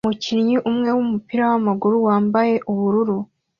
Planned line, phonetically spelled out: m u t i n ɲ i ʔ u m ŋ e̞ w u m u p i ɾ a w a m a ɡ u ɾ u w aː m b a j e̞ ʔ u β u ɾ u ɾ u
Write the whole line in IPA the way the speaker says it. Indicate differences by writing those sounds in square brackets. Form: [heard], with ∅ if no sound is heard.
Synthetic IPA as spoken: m u [c] i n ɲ i ʔ u m ŋ e̞ w u m u p i ɾ a w a m a ɡ u ɾ u w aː m b a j e̞ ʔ u β u ɾ u ɾ u